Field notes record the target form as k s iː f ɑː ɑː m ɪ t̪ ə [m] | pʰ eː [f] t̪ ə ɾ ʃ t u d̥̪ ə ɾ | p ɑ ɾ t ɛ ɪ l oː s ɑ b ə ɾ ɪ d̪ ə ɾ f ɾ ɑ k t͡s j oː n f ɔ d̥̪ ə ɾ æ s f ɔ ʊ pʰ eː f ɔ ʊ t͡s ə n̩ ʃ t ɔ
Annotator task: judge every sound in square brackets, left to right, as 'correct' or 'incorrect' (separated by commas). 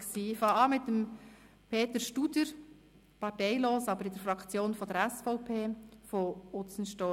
correct, incorrect